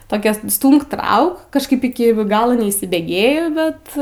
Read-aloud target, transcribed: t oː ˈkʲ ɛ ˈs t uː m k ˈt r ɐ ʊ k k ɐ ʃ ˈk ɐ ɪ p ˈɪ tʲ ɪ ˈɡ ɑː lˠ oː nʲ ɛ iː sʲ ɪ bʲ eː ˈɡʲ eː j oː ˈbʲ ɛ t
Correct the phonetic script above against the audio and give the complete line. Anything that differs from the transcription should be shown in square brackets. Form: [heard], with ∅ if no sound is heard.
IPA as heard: t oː ˈkʲ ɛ ˈs t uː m k ˈt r ɐ ʊ k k ɐ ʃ ˈk ɐ ɪ p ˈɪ [kʲ] ɪ ˈɡ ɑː lˠ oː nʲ ɛ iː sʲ ɪ bʲ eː ˈɡʲ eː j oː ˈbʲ ɛ t

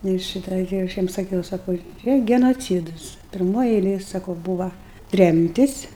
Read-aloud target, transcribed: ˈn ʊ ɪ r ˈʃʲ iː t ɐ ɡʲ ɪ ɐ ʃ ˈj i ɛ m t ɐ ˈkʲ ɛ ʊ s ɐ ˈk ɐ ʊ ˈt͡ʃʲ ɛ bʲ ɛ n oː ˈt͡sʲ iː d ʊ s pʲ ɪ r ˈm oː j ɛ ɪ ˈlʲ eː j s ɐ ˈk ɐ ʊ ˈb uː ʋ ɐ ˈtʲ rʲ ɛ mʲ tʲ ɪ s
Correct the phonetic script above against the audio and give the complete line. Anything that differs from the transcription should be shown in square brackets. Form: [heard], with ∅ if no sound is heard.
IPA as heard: ˈn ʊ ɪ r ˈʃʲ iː t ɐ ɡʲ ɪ ɐ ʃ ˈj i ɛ m [s] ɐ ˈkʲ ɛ ʊ s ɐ ˈk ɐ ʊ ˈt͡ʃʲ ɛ [ɡʲ] ɛ n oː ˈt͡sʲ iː d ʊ s pʲ ɪ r ˈm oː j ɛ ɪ ˈlʲ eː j s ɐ ˈk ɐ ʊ ˈb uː ʋ ɐ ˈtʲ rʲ ɛ mʲ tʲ ɪ s

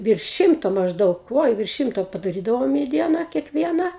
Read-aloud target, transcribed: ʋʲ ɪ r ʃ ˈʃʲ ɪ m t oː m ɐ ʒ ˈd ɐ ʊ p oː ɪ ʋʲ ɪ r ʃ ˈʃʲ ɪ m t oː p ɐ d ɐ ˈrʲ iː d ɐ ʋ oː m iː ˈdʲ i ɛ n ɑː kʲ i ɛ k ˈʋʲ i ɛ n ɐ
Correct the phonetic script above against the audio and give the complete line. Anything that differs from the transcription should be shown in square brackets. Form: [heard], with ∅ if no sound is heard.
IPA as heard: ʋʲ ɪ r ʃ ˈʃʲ ɪ m t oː m ɐ ʒ ˈd ɐ ʊ [k] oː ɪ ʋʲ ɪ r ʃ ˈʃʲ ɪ m t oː p ɐ d ɐ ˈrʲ iː d ɐ ʋ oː m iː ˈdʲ i ɛ n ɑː kʲ i ɛ k ˈʋʲ i ɛ n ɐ

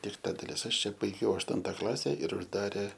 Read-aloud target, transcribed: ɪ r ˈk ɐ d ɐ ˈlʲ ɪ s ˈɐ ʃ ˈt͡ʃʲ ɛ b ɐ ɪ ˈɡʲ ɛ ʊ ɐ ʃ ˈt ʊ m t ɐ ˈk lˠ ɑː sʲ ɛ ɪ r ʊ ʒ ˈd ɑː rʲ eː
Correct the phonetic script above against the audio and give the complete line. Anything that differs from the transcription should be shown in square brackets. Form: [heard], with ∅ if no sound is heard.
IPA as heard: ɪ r [ˈt] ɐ d ɐ ˈlʲ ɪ s ˈɐ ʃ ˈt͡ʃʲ ɛ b ɐ ɪ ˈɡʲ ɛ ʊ ɐ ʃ ˈt ʊ [n] t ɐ ˈk lˠ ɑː sʲ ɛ ɪ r ʊ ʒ ˈd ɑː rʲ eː

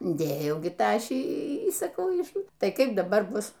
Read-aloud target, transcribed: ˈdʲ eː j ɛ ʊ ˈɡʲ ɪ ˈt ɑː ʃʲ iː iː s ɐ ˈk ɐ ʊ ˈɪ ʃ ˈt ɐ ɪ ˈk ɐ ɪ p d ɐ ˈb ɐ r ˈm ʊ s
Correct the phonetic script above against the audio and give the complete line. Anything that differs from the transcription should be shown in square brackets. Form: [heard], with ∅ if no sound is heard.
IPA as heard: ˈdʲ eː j ɛ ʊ ˈɡʲ ɪ ˈt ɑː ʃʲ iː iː s ɐ ˈk ɐ ʊ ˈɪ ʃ ˈt ɐ ɪ ˈk ɐ ɪ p d ɐ ˈb ɐ r [ˈb] ʊ s

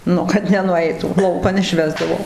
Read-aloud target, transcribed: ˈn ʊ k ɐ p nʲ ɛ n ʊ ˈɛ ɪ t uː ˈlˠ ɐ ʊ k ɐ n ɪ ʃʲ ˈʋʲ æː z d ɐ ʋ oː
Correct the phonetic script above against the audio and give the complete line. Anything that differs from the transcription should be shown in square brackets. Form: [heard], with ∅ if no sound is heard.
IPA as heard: ˈn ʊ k ɐ [t] nʲ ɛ n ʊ ˈɛ ɪ t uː ˈlˠ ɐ ʊ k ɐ n ɪ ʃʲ ˈʋʲ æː z d ɐ ʋ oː

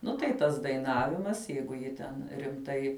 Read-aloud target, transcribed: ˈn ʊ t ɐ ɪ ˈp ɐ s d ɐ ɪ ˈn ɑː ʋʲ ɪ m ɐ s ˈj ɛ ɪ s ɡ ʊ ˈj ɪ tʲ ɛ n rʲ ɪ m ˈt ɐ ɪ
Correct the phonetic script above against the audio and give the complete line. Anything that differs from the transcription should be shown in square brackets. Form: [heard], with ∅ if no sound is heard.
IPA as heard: ˈn ʊ t ɐ ɪ [ˈt] ɐ s d ɐ ɪ ˈn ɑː ʋʲ ɪ m ɐ s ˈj ɛ ɪ [∅] ɡ ʊ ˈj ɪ tʲ ɛ n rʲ ɪ m ˈt ɐ ɪ

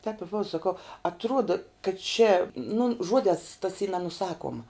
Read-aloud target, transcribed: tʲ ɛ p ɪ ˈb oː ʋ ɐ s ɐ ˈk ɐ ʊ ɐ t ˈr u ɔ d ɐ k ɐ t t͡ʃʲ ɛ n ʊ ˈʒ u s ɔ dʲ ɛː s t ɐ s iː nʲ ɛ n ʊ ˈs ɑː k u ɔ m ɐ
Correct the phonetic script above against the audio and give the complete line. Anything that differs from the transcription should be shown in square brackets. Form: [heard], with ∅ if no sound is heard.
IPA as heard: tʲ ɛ p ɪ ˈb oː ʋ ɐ s ɐ ˈk ɐ ʊ ɐ t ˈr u ɔ d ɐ k ɐ t t͡ʃʲ ɛ n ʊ ˈʒ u [∅] ɔ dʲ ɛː s t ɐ s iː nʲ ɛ n ʊ ˈs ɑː k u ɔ m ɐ

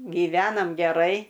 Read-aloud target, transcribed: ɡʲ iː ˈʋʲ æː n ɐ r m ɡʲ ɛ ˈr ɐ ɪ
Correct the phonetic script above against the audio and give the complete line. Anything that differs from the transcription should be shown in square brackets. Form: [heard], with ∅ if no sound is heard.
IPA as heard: ɡʲ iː ˈʋʲ æː n ɐ [∅] m ɡʲ ɛ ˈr ɐ ɪ

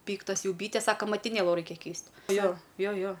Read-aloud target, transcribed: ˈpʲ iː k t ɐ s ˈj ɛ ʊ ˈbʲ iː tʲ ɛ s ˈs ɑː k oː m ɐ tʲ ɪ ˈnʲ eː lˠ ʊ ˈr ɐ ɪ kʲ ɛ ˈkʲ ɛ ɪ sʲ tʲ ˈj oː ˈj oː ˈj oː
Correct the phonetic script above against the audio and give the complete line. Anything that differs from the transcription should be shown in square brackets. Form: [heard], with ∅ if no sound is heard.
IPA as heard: ˈpʲ iː k t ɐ s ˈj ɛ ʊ ˈbʲ iː tʲ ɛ s ˈs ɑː k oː m ɐ tʲ ɪ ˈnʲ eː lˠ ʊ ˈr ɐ ɪ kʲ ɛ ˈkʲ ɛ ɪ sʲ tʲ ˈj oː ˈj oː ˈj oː

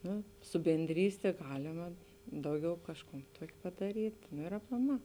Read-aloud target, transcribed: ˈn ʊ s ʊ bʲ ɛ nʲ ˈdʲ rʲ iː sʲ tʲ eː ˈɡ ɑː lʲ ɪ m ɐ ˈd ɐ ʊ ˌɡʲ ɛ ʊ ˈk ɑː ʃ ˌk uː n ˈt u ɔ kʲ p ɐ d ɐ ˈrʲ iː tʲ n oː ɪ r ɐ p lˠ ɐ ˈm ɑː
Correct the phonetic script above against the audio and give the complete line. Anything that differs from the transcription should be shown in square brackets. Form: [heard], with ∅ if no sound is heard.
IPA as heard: ˈn ʊ s ʊ bʲ ɛ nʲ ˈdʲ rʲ iː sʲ tʲ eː ˈɡ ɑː lʲ ɪ m ɐ ˈd ɐ ʊ ˌɡʲ ɛ ʊ ˈk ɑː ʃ ˌk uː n ˈt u ɔ kʲ p ɐ d ɐ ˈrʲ iː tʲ n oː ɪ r ɐ p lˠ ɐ ˈm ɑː

